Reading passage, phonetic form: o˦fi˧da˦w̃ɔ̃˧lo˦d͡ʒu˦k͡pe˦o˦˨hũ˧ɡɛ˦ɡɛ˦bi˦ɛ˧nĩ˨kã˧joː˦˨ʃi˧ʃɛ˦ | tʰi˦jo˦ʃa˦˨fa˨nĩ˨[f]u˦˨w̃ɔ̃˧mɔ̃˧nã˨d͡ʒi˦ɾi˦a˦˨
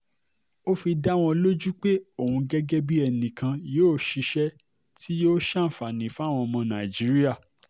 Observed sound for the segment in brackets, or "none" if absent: f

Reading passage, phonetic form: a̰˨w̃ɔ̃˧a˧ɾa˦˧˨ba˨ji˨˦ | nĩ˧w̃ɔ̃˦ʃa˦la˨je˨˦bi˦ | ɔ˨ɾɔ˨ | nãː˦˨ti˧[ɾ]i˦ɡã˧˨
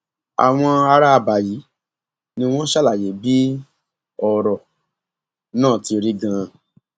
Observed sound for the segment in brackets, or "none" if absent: ɾ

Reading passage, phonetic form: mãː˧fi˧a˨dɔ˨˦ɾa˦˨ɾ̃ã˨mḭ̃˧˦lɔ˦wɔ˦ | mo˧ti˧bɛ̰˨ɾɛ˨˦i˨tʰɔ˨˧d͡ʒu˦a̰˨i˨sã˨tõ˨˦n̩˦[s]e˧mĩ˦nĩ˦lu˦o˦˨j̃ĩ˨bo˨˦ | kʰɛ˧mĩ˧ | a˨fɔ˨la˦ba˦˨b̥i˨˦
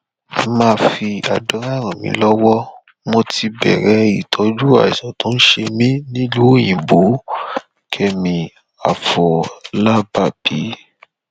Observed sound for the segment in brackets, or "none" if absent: ʃ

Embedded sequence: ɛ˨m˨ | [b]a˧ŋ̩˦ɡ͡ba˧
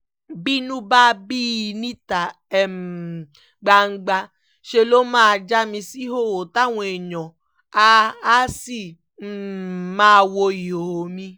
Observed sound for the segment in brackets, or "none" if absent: ɡ͡b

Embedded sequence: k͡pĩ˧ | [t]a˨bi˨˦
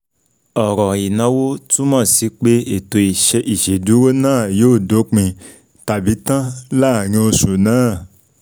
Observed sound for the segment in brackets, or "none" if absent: t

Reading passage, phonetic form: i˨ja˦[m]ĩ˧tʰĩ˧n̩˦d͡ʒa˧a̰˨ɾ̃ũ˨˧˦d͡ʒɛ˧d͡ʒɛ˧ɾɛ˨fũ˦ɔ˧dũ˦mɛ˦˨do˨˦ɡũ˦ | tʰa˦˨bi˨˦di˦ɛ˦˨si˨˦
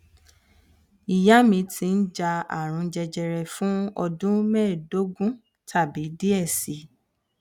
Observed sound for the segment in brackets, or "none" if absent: m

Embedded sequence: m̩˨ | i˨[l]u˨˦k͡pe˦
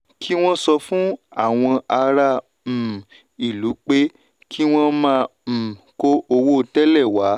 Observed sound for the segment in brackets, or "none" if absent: l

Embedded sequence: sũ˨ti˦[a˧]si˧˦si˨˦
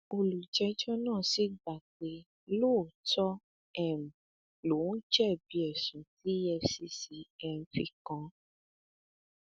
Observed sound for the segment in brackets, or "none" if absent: ɛ˧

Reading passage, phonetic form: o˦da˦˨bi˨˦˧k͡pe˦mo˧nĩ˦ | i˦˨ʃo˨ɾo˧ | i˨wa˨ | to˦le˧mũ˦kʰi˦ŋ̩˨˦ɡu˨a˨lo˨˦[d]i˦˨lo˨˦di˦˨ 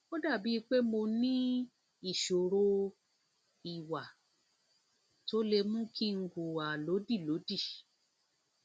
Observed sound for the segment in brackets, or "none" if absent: d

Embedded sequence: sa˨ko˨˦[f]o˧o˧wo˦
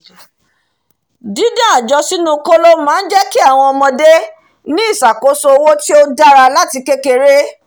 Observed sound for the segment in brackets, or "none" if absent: s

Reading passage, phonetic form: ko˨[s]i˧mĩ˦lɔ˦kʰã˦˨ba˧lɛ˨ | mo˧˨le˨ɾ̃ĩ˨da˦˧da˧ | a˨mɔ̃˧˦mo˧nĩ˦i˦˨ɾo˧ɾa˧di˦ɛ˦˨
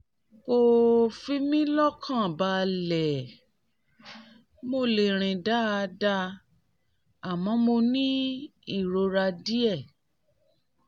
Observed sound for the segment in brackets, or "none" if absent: f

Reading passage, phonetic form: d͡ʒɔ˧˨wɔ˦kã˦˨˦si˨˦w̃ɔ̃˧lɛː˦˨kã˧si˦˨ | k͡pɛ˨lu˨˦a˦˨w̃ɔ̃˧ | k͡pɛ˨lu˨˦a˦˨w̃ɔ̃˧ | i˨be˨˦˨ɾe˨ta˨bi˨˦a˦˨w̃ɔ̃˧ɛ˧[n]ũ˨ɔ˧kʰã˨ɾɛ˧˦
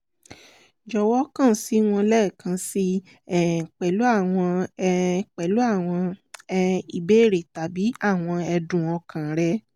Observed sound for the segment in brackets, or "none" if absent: d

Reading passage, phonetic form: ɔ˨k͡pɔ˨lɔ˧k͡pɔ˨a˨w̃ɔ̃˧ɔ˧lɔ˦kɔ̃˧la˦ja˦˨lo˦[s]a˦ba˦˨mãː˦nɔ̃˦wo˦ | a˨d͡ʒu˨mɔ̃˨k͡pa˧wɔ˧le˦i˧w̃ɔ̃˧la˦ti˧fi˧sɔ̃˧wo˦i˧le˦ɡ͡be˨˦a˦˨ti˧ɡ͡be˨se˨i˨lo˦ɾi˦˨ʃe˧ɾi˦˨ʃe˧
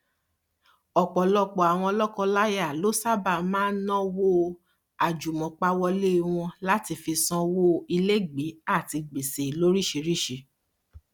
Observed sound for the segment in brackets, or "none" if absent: s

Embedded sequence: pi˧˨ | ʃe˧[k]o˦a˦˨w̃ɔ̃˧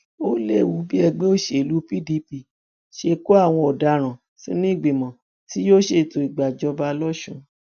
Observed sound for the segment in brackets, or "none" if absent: k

